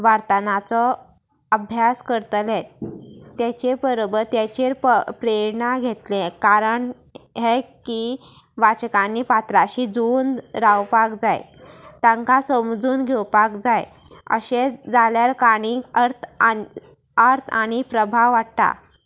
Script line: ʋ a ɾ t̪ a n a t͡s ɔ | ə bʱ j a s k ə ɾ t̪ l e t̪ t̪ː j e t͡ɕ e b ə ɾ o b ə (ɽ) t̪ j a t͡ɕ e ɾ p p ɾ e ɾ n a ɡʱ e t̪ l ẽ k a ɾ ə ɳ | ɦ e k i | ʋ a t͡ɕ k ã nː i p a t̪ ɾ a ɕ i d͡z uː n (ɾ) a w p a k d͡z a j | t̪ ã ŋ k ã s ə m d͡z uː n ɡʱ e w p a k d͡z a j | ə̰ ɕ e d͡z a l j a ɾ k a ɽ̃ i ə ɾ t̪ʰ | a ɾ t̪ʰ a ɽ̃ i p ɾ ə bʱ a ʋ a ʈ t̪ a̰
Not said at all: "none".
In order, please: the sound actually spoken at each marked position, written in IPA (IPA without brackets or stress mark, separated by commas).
ɾ, ɾ